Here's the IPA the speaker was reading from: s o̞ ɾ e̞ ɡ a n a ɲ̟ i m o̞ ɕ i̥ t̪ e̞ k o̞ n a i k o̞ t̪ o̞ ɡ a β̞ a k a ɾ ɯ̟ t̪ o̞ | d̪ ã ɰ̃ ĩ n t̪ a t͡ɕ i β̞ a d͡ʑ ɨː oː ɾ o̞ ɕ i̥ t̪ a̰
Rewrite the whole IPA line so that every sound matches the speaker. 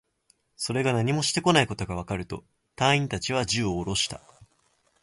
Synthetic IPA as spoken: s o̞ ɾ e̞ ɡ a n a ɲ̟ i m o̞ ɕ i̥ t̪ e̞ k o̞ n a i k o̞ t̪ o̞ ɡ a β̞ a k a ɾ ɯ̟ t̪ o̞ | t̪ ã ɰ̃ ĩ n t̪ a t͡ɕ i β̞ a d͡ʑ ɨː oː ɾ o̞ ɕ i̥ t̪ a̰